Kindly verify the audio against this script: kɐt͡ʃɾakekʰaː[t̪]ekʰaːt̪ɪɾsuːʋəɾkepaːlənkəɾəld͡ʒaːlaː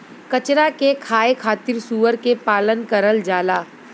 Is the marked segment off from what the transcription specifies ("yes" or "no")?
yes